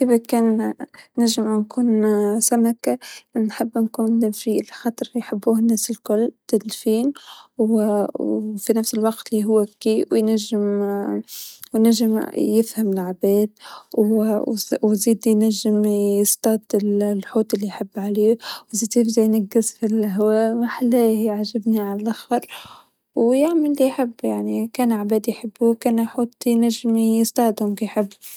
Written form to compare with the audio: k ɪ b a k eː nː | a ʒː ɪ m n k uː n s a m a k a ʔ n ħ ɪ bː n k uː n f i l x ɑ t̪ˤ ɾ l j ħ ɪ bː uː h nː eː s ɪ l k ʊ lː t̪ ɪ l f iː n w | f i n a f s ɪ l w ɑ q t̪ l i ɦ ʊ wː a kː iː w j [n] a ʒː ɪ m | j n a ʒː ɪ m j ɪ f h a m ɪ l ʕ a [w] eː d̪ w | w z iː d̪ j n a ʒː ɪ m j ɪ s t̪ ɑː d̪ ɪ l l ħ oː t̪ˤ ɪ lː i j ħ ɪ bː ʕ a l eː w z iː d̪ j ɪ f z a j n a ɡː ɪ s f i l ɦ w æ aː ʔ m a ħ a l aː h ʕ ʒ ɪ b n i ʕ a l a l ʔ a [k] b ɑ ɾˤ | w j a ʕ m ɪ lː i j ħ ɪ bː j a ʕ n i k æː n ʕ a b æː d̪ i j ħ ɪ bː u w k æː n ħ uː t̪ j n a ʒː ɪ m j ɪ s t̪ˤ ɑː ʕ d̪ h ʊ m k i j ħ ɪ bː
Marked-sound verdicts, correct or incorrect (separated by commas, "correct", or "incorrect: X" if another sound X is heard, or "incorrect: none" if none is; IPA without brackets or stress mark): correct, incorrect: b, incorrect: x